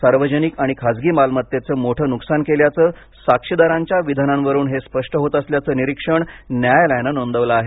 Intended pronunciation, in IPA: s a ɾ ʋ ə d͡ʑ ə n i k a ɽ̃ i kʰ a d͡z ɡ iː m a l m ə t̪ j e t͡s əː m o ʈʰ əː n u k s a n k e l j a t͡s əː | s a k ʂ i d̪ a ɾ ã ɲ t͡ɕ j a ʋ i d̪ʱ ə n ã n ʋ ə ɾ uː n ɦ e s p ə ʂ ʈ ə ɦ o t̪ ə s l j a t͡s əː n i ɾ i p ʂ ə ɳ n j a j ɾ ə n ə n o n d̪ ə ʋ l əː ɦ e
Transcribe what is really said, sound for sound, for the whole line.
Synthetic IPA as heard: s a ɾ ʋ ə d͡ʑ ə n i k a ɽ̃ i kʰ a d͡z ɡ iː m a l m ə t̪ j e t͡s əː m o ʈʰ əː n u k s a n k e l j a t͡s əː | s a k ʂ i d̪ a ɾ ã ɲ t͡ɕ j a ʋ i d̪ʱ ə n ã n ʋ ə ɾ uː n ɦ e s p ə ʂ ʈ ə ɦ o t̪ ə s l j a t͡s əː n i ɾ i k ʂ ə ɳ n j a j l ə n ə n o n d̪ ə ʋ l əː ɦ e